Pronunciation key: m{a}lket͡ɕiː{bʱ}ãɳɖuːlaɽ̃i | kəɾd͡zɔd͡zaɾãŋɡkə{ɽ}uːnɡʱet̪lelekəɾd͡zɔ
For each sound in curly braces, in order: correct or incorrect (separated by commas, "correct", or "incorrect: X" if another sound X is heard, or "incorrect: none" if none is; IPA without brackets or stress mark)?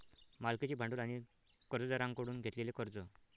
correct, correct, correct